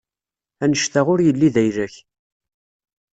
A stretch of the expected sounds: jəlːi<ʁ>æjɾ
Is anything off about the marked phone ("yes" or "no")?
yes